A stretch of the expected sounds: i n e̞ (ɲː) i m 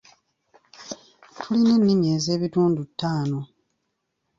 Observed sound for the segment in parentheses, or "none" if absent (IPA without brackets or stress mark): nː